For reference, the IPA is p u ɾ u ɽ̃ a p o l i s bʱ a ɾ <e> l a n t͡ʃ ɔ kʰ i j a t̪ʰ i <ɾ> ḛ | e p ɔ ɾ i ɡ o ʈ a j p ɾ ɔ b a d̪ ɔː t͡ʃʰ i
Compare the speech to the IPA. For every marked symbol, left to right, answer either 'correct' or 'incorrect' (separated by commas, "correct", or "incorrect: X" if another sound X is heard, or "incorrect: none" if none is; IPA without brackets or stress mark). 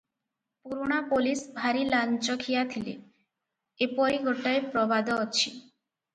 incorrect: i, incorrect: l